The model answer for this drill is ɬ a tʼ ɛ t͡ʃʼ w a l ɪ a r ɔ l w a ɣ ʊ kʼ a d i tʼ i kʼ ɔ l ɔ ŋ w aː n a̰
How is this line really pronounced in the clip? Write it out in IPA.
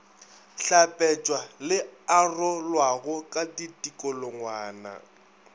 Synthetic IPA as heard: ɬ a pʼ ɛ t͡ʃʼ w a l ɪ a r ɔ l w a ɣ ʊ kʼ a d i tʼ i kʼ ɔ l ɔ ŋ w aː n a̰